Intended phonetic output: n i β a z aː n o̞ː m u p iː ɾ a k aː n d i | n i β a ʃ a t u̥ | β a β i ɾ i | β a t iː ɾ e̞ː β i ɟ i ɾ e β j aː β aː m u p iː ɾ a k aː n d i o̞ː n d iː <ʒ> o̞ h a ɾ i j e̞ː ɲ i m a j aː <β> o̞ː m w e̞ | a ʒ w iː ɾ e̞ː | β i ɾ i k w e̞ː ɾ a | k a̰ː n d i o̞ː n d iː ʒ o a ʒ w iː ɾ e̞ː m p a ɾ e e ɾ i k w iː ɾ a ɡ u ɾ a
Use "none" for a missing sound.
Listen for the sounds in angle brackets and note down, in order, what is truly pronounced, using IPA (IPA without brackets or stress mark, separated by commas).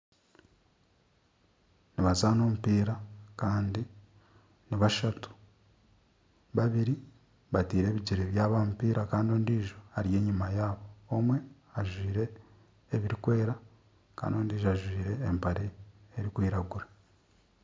ʒ, β